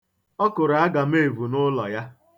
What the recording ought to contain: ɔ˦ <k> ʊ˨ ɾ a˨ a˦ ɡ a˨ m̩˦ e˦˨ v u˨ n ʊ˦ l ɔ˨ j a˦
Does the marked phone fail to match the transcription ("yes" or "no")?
no